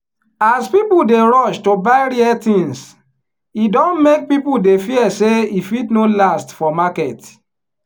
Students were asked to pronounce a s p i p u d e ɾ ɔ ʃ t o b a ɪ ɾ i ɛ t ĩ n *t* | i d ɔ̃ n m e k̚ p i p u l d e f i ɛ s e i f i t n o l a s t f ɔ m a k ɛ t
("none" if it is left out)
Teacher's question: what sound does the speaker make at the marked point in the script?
s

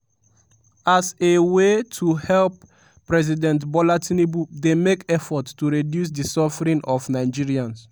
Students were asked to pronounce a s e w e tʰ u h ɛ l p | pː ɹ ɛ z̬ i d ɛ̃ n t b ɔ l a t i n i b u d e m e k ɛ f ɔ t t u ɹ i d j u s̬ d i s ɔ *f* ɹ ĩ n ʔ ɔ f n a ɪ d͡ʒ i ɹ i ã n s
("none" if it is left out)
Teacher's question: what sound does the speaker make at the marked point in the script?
f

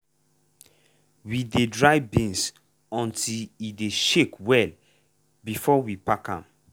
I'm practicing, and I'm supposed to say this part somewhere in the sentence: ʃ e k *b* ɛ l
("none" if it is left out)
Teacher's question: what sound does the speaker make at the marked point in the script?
w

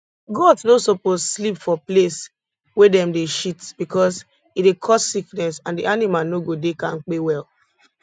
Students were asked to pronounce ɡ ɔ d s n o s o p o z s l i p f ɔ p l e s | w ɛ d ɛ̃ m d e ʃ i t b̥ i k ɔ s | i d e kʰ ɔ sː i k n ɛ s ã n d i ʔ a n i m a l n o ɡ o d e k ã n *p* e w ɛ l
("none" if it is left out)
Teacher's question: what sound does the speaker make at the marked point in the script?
k͡p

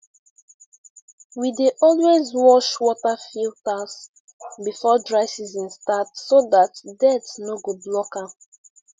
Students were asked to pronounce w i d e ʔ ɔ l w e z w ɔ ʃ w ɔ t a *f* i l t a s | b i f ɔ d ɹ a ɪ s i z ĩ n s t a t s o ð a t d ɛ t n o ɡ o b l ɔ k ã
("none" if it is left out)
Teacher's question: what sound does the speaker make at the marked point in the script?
f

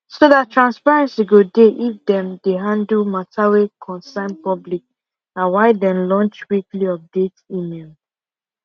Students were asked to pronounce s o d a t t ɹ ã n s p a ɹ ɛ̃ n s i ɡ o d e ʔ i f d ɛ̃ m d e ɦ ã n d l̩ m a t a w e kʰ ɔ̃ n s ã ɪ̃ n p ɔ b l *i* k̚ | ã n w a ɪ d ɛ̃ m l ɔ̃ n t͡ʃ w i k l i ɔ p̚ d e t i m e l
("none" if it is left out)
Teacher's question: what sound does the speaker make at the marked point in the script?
i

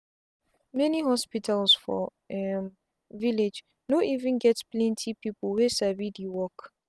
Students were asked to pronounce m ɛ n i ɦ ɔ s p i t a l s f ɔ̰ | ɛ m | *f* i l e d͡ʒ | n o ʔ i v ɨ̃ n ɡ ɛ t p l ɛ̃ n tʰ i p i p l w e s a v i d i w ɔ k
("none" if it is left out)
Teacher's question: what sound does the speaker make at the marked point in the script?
v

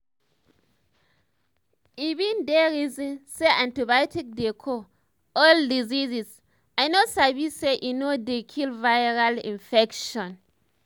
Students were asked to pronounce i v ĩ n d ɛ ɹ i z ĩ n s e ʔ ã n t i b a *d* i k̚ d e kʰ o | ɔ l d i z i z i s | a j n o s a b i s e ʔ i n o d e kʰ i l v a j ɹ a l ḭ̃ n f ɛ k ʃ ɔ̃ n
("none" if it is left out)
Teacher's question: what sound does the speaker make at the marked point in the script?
t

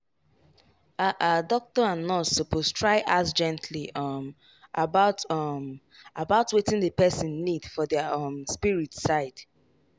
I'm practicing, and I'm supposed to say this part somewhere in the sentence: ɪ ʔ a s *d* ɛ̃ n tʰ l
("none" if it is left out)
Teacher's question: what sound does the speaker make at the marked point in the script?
d͡ʒ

